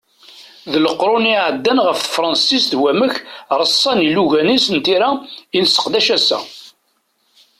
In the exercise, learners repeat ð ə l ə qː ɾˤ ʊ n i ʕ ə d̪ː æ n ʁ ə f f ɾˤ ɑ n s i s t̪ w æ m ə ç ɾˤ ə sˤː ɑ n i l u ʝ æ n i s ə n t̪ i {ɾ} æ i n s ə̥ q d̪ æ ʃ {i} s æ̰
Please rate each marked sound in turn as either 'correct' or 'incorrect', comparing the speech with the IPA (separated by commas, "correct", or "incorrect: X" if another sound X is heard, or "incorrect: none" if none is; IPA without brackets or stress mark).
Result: correct, incorrect: æ